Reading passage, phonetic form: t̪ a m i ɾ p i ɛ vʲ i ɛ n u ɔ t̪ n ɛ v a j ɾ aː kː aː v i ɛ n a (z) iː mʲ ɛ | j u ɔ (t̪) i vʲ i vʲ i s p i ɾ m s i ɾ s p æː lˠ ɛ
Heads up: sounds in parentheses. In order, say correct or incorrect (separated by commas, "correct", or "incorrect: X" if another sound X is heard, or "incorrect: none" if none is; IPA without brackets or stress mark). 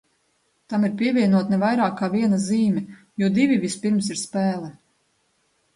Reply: correct, incorrect: d̪